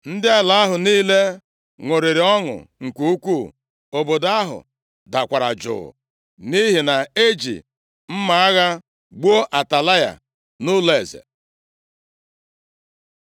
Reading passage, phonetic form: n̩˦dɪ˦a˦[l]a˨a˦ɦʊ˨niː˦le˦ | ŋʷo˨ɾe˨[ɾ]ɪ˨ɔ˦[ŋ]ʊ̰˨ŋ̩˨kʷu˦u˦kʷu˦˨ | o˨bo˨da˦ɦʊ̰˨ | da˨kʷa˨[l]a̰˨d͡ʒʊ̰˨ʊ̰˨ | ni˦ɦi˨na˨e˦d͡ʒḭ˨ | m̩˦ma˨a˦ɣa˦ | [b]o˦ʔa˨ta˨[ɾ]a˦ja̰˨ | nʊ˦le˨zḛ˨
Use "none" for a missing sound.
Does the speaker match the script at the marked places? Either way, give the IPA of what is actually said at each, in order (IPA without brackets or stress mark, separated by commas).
l, ɾ, ŋ, ɾ, ɡ͡b, l